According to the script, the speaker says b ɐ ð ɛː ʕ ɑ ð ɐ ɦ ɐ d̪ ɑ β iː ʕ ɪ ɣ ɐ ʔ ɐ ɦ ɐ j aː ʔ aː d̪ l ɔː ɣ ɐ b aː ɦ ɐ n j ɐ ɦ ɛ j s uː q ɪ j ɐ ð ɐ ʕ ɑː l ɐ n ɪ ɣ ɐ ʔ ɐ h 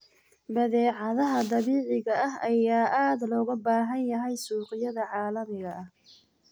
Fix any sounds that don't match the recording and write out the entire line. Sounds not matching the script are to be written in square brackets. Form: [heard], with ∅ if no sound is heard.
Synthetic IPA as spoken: b ɐ ð ɛː ʕ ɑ ð ɐ ɦ ɐ d̪ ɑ β iː ʕ ɪ ɣ ɐ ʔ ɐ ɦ ɐ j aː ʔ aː d̪ l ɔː ɣ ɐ b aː ɦ ɐ n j ɐ ɦ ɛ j s uː q ɪ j ɐ ð ɐ ʕ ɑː l ɐ [m] ɪ ɣ ɐ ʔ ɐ h